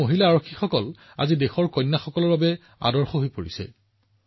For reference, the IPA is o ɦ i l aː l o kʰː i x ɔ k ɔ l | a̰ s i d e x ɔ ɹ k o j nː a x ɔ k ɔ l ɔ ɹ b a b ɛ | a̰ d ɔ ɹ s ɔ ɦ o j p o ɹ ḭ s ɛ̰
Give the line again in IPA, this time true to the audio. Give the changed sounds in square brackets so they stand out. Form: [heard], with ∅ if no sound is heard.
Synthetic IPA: o ɦ i l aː [ɹ] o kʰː i x ɔ k ɔ l | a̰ [z] i d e x ɔ ɹ k [ɔ] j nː a x ɔ k ɔ l ɔ ɹ b a b ɛ | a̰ d ɔ ɹ [x] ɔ ɦ o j p o ɹ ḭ s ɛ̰